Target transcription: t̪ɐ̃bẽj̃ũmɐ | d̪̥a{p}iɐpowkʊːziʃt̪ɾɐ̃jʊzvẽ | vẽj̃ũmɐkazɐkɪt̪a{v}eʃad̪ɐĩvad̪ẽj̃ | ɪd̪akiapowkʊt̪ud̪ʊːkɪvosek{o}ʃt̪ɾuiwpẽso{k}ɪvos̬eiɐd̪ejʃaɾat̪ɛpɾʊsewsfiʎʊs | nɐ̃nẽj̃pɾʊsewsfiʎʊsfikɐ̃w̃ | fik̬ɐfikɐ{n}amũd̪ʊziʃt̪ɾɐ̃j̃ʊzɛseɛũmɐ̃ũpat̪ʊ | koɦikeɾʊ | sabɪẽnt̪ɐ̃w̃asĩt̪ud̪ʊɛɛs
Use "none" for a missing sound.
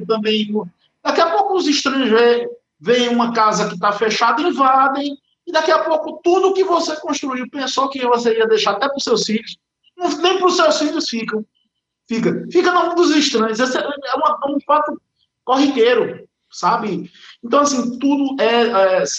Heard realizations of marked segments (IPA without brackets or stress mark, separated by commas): k, f, õ, k, n